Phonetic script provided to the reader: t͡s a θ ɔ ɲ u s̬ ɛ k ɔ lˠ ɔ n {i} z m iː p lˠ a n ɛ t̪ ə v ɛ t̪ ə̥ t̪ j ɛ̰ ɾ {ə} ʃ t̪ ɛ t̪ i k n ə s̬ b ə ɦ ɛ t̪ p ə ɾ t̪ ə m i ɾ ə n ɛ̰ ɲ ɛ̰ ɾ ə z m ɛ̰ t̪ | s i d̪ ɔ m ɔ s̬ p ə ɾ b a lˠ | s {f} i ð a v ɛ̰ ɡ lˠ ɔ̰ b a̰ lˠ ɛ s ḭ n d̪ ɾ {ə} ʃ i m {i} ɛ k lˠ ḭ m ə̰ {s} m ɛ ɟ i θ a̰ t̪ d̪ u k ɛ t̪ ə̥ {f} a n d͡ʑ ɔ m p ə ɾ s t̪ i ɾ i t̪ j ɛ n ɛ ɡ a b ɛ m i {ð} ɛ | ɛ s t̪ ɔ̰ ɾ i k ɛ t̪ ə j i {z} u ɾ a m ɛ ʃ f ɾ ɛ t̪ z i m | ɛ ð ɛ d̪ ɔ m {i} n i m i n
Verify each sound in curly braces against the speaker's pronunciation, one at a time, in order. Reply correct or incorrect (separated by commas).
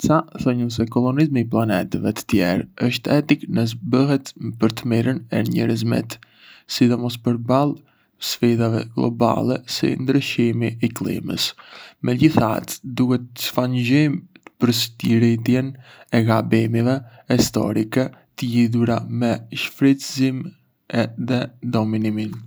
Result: correct, correct, correct, correct, correct, correct, correct, incorrect, incorrect, correct